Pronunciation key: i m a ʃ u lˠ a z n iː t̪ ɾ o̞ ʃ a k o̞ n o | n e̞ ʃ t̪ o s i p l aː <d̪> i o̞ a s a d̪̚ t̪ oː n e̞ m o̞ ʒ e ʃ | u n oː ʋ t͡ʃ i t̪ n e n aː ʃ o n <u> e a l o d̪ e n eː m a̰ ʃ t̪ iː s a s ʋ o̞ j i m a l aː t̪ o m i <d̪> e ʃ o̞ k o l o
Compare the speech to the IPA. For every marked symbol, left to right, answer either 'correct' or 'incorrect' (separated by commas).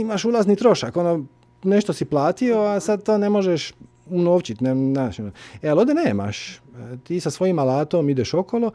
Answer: incorrect, incorrect, correct